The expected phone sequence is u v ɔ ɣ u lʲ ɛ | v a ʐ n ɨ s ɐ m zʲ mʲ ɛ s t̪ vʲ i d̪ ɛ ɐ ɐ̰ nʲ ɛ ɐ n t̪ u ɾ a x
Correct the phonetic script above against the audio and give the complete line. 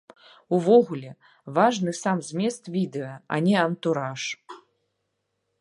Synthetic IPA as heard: u v ɔ ɣ u lʲ ɛ | v a ʐ n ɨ s a m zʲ mʲ ɛ s t̪ vʲ i d̪ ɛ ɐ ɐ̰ nʲ ɛ ɐ n t̪ u ɾ a ʂ